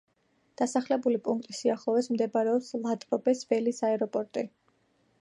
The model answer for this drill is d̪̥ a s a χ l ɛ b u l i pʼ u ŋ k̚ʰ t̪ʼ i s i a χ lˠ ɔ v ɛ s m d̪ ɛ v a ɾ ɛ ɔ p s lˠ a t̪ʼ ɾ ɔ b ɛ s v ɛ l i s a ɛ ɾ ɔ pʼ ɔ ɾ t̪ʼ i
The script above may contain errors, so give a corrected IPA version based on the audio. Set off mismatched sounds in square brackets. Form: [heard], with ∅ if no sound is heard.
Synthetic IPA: d̪̥ a s a χ l ɛ b u l i pʼ u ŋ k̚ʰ t̪ʼ i s i a χ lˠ ɔ v ɛ s m d̪ ɛ [b] a ɾ ɛ ɔ p s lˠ a t̪ʼ ɾ ɔ b ɛ s v ɛ l i s a ɛ ɾ ɔ pʼ ɔ ɾ t̪ʼ i